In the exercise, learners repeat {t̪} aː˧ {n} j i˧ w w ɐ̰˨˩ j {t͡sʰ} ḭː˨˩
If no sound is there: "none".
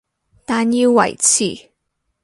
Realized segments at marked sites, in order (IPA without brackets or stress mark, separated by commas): t̪, n, t͡sʰ